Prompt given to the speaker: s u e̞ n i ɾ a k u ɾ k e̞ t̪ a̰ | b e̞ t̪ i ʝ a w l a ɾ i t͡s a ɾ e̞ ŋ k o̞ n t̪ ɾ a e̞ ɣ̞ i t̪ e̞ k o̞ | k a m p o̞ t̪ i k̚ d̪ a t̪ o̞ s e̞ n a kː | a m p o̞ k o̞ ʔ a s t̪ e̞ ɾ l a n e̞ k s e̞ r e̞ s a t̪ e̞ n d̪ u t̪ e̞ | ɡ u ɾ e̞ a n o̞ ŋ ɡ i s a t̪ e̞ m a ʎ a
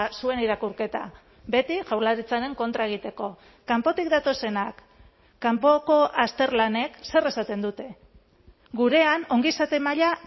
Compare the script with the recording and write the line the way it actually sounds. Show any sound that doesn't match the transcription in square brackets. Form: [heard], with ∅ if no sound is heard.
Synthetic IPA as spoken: s u e̞ n i ɾ a k u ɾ k e̞ t̪ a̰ | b e̞ t̪ i ʝ a w l a ɾ i t͡s a ɾ e̞ ŋ k o̞ n t̪ ɾ a e̞ ɣ̞ i t̪ e̞ k o̞ | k a m p o̞ t̪ i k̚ d̪ a t̪ o̞ s e̞ n a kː | a m p o̞ k o̞ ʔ a s t̪ e̞ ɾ l a n e̞ k s e̞ r e̞ s a t̪ e̞ n d̪ u t̪ e̞ | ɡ u ɾ e̞ a n o̞ ŋ ɡ i s a t̪ e̞ m a ʎ a